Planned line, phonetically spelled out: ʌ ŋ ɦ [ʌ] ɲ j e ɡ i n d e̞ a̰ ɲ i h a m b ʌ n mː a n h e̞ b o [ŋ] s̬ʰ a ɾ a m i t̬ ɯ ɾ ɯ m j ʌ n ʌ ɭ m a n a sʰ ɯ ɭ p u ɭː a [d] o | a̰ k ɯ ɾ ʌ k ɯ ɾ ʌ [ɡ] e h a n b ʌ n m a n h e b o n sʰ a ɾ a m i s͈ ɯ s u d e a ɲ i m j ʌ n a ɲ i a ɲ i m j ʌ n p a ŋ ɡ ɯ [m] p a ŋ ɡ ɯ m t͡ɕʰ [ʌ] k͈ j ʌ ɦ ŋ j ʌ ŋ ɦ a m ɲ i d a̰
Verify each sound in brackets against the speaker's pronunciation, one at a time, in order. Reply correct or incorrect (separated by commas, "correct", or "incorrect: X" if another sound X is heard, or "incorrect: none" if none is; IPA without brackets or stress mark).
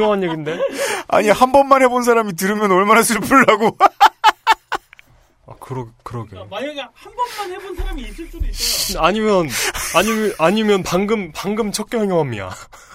incorrect: a, incorrect: n, incorrect: ɡ, correct, correct, correct